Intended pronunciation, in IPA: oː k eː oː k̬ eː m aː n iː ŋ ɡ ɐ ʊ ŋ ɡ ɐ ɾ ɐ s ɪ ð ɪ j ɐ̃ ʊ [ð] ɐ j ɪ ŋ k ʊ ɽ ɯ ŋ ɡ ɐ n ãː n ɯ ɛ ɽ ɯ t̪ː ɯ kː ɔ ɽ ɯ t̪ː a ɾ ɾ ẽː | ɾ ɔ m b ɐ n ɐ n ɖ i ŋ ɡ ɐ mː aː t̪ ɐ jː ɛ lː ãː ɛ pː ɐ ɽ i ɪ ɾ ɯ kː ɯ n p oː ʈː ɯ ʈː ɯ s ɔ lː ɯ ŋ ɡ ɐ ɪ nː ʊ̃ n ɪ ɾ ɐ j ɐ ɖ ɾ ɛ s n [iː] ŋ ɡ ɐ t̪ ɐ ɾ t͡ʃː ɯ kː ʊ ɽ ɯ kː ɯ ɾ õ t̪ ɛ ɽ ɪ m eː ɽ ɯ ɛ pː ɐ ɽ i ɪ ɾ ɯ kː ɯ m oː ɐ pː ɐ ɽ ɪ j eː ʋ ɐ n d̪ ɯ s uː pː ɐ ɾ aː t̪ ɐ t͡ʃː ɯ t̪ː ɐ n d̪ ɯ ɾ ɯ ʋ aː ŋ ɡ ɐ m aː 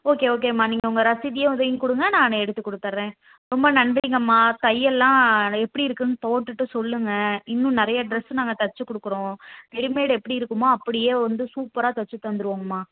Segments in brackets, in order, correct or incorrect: correct, incorrect: aː

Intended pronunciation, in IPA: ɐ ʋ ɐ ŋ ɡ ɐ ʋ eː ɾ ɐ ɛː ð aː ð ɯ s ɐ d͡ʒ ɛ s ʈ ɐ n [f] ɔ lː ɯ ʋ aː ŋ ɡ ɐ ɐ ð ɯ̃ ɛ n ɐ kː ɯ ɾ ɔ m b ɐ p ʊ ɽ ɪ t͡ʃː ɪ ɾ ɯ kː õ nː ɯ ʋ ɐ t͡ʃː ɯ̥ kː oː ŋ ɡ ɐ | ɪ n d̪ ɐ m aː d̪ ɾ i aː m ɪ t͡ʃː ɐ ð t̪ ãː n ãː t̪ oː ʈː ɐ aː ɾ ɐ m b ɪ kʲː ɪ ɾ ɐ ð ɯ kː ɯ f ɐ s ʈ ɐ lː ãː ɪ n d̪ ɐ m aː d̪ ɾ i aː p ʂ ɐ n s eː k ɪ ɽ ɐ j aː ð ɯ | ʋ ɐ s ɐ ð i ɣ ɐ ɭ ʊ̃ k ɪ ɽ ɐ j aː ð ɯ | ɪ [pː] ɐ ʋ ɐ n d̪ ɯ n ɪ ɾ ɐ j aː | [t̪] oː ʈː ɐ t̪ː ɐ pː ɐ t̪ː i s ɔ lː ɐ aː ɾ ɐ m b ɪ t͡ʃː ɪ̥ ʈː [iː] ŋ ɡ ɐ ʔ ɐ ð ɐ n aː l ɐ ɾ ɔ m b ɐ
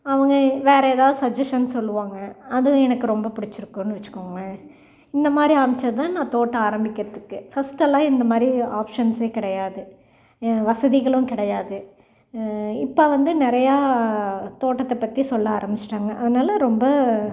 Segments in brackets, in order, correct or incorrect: incorrect: s, correct, correct, incorrect: aː

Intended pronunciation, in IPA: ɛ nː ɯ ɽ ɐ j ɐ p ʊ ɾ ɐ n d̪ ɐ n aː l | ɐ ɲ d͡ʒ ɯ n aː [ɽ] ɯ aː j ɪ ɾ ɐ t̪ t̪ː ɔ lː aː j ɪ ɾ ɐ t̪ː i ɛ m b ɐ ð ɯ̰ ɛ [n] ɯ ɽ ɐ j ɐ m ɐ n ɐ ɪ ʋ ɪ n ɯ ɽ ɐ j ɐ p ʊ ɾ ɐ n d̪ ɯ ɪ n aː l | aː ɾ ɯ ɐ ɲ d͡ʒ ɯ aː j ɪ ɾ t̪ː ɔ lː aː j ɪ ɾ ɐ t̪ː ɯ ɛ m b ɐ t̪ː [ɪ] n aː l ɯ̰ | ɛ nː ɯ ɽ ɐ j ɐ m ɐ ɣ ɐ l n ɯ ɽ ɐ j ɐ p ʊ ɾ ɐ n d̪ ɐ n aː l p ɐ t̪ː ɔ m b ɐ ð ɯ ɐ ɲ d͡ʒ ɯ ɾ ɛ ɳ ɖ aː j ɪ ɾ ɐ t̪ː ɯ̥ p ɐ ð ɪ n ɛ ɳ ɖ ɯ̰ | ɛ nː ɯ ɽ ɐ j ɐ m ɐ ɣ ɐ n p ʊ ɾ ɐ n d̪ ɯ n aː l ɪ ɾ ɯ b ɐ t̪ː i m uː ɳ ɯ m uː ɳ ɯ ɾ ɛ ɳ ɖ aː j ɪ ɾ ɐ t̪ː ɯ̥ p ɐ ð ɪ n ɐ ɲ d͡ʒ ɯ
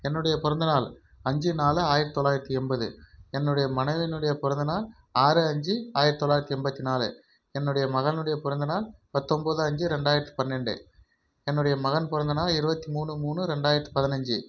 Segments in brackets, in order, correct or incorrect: incorrect: l, incorrect: nː, incorrect: i

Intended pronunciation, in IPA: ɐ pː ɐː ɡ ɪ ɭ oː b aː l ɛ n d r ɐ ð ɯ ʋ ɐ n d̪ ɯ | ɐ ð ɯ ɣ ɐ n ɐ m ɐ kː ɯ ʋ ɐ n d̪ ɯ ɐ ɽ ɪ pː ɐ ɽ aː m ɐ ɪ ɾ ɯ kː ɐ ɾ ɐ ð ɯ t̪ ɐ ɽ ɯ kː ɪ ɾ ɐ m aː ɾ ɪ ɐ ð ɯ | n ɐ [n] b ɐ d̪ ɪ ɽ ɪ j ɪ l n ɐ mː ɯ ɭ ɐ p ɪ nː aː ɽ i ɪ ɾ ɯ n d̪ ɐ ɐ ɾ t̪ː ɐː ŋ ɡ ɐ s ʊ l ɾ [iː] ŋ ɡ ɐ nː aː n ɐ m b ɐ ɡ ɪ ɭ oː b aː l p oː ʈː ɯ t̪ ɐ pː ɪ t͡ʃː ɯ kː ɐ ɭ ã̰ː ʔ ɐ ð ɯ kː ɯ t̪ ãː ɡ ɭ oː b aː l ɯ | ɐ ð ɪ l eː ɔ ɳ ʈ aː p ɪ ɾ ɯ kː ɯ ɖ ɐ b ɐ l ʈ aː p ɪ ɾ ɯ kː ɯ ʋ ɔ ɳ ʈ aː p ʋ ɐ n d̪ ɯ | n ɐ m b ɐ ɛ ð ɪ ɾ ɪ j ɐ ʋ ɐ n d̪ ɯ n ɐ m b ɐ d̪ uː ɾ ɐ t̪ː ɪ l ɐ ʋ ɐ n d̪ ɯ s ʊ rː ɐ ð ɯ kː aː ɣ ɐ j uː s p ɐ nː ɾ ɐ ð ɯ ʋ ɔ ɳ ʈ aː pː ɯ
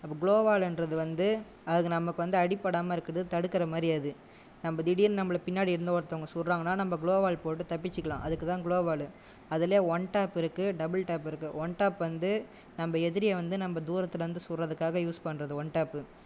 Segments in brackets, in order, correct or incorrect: incorrect: m, incorrect: aː

